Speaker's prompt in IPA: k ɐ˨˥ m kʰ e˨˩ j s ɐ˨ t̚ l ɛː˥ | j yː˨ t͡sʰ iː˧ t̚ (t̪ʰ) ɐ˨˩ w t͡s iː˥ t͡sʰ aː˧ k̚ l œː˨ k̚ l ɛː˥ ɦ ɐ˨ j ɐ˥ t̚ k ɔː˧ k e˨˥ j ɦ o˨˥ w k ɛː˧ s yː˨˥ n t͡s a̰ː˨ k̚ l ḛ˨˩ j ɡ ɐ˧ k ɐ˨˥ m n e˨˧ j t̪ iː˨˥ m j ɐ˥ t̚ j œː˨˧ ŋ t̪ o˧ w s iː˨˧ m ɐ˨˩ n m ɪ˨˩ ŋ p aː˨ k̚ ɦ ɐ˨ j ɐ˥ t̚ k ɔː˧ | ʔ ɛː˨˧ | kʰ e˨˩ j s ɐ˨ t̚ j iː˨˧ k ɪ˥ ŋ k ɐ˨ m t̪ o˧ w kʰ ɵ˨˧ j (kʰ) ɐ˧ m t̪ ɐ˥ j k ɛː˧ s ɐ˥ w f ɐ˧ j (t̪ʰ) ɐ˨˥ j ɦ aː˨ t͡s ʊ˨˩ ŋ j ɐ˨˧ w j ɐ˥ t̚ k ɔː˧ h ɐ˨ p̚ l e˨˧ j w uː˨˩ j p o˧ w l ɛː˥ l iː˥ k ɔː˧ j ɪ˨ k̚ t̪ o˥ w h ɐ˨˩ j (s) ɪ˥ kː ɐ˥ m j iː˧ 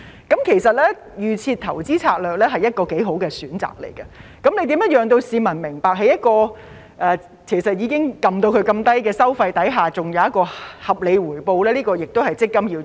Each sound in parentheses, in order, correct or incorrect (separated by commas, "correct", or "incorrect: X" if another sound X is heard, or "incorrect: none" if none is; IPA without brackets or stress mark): correct, incorrect: k, incorrect: t̪, incorrect: t͡s